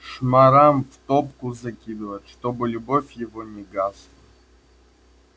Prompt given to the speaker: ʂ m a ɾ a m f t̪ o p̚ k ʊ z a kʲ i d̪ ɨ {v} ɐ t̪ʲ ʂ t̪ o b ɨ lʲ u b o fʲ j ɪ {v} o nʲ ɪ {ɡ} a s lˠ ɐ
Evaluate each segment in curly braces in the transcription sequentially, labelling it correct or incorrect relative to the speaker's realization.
correct, correct, correct

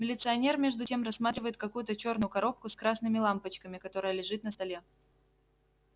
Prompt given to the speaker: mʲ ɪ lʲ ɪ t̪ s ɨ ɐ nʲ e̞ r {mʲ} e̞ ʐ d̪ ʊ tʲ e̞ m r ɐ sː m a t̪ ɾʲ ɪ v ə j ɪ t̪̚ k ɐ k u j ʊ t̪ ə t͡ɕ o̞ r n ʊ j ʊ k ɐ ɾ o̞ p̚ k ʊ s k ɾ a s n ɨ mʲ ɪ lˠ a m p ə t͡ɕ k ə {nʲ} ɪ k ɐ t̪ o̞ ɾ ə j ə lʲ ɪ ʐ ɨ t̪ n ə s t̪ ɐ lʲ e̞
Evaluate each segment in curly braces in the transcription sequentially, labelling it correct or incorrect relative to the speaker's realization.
correct, incorrect: mʲ

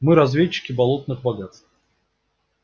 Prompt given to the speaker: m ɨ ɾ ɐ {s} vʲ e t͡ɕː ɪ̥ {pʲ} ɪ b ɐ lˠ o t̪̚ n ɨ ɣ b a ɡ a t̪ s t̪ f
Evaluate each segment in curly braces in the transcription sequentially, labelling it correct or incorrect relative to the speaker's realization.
incorrect: z, incorrect: kʲ

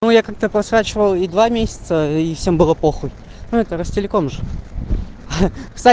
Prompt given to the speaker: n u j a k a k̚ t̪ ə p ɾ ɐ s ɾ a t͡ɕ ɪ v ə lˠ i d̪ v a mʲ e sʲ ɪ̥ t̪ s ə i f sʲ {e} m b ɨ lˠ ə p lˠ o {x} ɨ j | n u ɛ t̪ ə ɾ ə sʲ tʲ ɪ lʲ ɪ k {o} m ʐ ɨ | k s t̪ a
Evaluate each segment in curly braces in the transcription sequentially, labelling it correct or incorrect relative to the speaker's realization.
correct, correct, correct

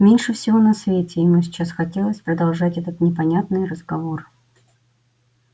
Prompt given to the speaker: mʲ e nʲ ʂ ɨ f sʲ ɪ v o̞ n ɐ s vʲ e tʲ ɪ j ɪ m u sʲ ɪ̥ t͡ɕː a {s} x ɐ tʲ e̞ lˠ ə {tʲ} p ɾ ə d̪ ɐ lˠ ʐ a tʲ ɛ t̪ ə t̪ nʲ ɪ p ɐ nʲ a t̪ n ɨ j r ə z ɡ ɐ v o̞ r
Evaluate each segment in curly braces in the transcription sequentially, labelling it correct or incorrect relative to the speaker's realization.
correct, incorrect: sʲ

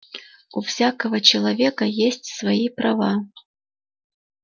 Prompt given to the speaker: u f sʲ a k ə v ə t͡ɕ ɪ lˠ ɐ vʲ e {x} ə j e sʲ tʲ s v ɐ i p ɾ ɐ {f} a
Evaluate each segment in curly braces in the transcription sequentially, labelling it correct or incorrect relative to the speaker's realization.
incorrect: k, incorrect: v

